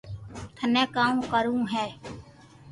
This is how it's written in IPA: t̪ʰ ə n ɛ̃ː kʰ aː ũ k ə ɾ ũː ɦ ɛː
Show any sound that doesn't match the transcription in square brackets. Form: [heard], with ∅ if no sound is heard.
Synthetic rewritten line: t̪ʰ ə n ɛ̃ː [k] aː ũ k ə ɾ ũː ɦ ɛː